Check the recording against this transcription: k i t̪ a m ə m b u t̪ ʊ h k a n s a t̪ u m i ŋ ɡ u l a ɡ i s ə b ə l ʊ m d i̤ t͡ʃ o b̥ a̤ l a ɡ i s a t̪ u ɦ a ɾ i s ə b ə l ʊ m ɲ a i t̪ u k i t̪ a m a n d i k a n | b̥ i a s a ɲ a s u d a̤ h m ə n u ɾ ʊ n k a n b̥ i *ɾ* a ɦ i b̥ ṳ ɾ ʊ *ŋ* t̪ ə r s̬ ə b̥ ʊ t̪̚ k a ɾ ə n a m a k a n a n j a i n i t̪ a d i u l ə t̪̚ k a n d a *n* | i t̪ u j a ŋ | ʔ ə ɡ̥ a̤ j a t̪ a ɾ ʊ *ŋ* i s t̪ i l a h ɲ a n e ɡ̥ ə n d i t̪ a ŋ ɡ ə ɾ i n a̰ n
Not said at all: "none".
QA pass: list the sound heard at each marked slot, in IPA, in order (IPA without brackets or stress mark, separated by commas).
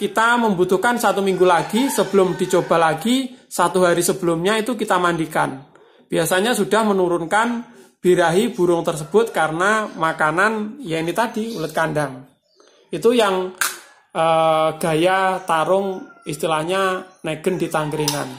ɾ, ŋ, ŋ, ŋ